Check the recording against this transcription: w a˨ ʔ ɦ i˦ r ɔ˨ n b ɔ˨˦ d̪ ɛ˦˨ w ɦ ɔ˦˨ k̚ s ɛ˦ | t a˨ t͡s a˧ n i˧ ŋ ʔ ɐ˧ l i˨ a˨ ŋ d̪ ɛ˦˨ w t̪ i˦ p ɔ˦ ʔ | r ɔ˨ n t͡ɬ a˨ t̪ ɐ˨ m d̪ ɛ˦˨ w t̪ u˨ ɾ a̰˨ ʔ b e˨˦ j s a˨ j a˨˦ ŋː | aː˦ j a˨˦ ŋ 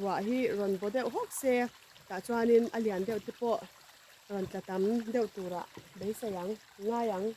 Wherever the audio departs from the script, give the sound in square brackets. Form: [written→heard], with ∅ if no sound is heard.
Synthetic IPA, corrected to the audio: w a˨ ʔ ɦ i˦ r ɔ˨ n b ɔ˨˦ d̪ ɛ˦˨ w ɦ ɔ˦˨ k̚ s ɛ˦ | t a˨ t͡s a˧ n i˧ [ŋ→n] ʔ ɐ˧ l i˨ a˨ [ŋ→n] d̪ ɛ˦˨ w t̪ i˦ p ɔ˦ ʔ | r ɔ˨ n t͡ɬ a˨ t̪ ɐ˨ m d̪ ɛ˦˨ w t̪ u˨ ɾ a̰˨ ʔ b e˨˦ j s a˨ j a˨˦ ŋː | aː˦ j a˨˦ ŋ

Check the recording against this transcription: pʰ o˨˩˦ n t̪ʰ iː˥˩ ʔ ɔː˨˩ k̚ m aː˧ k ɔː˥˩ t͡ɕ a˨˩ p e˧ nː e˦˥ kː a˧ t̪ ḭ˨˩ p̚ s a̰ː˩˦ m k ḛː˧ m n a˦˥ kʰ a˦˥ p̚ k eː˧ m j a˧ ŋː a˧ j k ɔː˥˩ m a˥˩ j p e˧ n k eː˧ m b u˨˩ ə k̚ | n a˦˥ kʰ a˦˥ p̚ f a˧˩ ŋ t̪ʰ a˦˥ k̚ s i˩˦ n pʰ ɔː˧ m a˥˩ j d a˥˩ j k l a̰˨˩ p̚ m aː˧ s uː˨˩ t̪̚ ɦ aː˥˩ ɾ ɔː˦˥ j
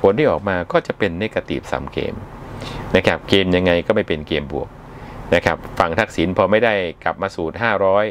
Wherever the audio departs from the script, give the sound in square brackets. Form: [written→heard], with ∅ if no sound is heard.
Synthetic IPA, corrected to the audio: pʰ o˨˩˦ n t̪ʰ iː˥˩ ʔ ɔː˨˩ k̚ m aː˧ k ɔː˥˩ t͡ɕ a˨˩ p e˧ nː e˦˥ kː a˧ t̪ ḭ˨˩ p̚ s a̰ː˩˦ m k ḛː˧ m n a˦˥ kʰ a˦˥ p̚ k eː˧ m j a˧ ŋː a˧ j k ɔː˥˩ m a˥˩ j p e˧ n k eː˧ m b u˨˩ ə k̚ | n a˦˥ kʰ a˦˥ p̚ f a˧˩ ŋ t̪ʰ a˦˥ k̚ s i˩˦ n pʰ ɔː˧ m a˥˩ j d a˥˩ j k l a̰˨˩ p̚ m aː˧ s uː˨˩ t̪̚ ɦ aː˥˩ ɾ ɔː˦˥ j

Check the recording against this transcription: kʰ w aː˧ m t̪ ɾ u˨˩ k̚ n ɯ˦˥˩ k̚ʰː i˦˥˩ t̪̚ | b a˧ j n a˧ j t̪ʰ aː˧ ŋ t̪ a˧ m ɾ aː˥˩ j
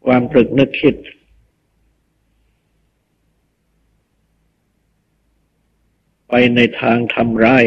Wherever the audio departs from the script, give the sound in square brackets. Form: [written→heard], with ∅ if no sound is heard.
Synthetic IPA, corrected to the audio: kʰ w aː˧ m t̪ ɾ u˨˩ k̚ n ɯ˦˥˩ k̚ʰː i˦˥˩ t̪̚ | [b→p] a˧ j n a˧ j t̪ʰ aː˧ ŋ [t̪→t̪ʰ] a˧ m ɾ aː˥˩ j

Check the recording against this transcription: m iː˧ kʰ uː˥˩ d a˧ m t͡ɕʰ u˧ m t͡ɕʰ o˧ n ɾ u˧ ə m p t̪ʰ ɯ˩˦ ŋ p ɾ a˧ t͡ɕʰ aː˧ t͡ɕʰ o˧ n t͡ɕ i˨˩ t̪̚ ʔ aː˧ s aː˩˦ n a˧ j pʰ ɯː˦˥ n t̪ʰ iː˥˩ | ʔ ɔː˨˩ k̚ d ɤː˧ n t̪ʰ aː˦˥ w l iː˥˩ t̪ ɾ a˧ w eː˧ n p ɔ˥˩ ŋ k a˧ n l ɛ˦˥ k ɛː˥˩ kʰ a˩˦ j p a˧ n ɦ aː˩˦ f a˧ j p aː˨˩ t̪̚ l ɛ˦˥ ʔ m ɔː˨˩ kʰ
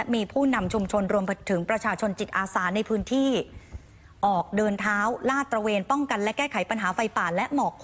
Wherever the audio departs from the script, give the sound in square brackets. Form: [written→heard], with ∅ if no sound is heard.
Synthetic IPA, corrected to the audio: m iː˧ [kʰ→pʰ] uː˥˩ [d→n] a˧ m t͡ɕʰ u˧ m t͡ɕʰ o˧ n ɾ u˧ ə m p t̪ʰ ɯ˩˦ ŋ p ɾ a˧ t͡ɕʰ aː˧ t͡ɕʰ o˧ n t͡ɕ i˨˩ t̪̚ ʔ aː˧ s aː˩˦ n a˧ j pʰ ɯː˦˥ n t̪ʰ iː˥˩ | ʔ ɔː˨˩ k̚ d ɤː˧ n t̪ʰ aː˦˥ w l [iː˥˩→aː˥˩] t̪ ɾ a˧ w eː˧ n p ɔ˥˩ ŋ k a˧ n l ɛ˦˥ k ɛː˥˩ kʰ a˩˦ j p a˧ n ɦ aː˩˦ f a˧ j p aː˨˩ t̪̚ l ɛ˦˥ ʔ m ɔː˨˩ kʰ

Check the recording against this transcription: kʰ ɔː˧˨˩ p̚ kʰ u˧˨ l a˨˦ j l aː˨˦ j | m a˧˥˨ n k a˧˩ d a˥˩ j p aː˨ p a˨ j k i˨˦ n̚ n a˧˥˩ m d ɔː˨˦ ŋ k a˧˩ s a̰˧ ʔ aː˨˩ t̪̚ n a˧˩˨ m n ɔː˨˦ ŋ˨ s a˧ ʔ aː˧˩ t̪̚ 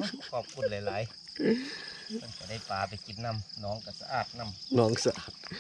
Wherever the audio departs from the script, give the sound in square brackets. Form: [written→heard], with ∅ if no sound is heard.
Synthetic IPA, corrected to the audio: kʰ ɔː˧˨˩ p̚ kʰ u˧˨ l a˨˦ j l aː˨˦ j | m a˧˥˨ n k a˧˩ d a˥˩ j p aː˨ p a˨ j k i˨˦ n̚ n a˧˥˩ m [d→n] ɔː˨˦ ŋ k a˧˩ s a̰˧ ʔ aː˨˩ t̪̚ n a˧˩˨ m n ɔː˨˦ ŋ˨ s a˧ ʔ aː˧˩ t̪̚

